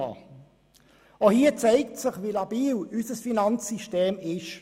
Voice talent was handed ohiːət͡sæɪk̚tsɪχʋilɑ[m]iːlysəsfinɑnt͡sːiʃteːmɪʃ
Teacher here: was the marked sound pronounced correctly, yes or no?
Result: no